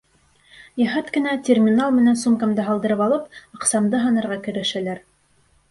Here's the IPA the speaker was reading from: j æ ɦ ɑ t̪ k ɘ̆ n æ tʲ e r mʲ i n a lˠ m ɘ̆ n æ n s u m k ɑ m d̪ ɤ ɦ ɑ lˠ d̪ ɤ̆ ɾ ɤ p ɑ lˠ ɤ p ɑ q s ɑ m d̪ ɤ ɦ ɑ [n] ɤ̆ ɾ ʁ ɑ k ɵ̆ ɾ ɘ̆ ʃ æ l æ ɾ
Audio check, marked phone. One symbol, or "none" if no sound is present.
n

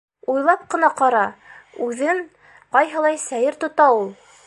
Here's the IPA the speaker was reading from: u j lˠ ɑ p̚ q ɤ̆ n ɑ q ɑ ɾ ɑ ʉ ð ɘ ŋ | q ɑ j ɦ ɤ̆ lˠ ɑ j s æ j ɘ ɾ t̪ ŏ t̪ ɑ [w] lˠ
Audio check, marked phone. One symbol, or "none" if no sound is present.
u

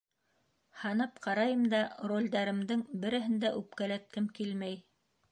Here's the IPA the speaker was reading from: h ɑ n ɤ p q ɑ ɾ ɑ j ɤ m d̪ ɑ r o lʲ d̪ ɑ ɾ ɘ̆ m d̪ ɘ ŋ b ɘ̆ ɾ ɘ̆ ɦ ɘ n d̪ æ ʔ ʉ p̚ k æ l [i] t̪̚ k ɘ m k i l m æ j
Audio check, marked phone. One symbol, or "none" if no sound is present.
æ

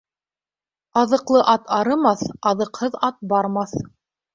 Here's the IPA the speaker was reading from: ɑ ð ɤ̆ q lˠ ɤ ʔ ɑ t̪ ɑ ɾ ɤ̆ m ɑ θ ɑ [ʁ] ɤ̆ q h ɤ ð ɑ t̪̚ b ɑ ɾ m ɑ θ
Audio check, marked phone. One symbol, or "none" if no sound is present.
ð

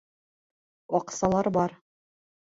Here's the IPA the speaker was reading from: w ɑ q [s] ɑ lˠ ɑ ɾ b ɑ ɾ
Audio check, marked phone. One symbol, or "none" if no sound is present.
s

